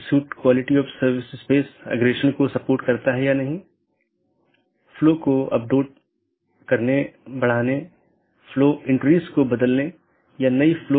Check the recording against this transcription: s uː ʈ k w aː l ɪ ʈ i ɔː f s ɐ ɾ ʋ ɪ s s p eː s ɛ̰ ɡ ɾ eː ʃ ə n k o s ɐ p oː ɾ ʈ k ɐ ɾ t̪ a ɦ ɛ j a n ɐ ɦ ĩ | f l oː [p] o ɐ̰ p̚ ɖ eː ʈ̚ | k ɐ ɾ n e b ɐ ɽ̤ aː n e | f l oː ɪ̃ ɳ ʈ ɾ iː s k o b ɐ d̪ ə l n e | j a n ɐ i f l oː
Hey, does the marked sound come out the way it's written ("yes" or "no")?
no